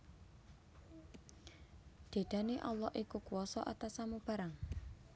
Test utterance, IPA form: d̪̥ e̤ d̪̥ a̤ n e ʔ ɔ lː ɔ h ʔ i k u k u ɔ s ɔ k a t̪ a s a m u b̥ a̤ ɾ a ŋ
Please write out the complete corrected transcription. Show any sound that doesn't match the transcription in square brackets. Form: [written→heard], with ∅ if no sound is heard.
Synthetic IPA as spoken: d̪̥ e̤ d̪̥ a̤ n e ʔ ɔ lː ɔ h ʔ i k u k u ɔ s ɔ [k→ʔ] a t̪ a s a m u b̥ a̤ ɾ a ŋ